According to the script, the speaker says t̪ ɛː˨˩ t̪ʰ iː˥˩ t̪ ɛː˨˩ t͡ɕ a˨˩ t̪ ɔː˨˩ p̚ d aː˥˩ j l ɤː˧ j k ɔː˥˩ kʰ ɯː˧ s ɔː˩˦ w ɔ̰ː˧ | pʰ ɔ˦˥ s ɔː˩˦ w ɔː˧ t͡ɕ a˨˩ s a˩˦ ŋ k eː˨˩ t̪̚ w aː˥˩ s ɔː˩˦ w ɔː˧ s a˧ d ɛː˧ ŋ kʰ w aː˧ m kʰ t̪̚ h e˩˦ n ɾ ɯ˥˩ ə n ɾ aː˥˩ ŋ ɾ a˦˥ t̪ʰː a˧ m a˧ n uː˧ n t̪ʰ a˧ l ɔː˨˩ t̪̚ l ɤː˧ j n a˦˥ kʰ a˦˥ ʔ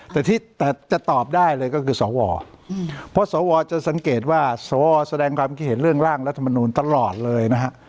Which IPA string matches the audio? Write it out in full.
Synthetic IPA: t̪ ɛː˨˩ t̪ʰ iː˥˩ t̪ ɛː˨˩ t͡ɕ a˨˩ t̪ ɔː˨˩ p̚ d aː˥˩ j l ɤː˧ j k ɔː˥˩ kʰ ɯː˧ s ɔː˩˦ w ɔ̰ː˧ | pʰ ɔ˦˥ s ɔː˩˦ w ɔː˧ t͡ɕ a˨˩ s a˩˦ ŋ k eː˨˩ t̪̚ w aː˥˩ s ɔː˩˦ w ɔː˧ s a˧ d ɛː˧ ŋ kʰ w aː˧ m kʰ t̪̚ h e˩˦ n ɾ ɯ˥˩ ə ŋ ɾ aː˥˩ ŋ ɾ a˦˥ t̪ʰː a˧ m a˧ n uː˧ n t̪ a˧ l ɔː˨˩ t̪̚ l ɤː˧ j n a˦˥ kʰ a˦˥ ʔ

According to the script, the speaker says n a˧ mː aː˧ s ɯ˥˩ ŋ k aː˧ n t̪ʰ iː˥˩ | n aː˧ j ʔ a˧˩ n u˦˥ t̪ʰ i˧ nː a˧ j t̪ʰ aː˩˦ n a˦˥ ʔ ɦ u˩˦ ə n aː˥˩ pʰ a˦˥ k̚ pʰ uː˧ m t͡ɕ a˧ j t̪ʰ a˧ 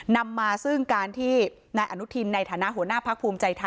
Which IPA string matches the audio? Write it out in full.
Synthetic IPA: n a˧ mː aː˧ s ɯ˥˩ ŋ k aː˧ n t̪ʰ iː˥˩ | n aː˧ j ʔ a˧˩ n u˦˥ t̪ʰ i˧ nː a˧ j t̪ʰ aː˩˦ n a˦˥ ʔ ɦ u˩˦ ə n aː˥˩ pʰ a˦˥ k̚ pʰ uː˧ m t͡ɕ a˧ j t̪ʰ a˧

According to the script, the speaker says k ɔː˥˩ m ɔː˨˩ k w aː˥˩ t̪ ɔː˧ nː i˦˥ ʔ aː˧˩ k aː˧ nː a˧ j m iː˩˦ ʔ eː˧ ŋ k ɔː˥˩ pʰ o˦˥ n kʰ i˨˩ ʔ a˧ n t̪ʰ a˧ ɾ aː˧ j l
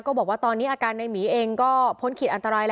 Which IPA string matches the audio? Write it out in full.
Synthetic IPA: k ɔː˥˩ b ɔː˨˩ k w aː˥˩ t̪ ɔː˧ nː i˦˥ ʔ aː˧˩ k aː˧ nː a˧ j m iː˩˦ ʔ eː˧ ŋ k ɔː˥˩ pʰ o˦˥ n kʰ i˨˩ ʔ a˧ n t̪ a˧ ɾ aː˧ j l

